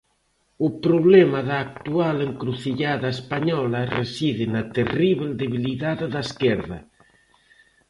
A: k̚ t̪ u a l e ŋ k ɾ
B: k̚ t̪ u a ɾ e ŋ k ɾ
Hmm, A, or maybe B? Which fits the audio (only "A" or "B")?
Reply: A